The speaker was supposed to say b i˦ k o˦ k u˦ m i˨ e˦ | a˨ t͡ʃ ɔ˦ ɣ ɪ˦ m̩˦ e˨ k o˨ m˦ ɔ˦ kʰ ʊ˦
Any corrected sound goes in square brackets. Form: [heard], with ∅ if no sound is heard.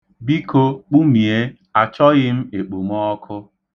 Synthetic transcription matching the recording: b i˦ k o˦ [k͡p] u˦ m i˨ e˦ | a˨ t͡ʃ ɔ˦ ɣ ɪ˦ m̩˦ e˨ [k͡p] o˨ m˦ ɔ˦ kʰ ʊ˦